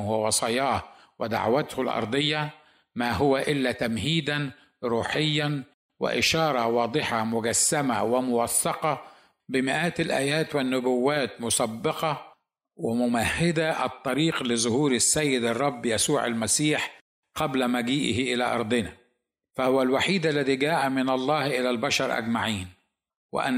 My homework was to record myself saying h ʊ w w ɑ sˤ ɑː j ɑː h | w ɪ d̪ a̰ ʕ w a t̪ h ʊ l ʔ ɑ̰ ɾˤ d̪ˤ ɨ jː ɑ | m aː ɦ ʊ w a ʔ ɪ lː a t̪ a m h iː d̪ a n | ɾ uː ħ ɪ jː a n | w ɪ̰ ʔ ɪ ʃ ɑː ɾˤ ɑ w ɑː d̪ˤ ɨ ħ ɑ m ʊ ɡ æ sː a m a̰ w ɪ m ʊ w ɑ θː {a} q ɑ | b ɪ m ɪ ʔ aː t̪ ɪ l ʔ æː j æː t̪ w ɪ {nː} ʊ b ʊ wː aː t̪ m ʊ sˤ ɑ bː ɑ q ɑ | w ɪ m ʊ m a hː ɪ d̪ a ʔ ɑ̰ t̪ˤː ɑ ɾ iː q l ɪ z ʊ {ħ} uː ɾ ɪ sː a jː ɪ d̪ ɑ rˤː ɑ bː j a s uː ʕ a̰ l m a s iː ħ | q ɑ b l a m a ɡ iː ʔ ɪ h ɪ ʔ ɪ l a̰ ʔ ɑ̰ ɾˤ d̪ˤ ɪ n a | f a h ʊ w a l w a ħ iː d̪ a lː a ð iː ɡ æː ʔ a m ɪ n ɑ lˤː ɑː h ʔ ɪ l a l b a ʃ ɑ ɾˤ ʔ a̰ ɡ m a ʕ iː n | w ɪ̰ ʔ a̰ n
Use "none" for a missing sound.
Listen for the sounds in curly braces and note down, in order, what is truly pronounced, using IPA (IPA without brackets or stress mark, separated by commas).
ɑ, nː, h